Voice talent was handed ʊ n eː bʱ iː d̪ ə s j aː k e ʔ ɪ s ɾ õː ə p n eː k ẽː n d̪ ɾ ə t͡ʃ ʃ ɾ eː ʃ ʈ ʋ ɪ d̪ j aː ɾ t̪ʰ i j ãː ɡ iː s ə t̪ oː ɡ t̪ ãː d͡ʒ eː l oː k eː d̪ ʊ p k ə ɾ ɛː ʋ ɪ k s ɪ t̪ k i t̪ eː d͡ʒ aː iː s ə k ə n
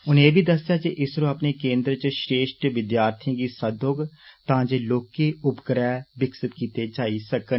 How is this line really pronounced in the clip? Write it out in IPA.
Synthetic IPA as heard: ʊ n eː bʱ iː d̪ ə s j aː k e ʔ ɪ s ɾ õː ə p n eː k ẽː n d̪ ɾ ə t͡ʃ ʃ ɾ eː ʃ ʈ ʋ ɪ d̪ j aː ɾ t̪ʰ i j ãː ɡ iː s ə d̪ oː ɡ t̪ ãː d͡ʒ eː l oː k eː ʊ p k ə ɾ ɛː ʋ ɪ k s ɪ t̪ k iː t̪ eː d͡ʒ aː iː s ə k ə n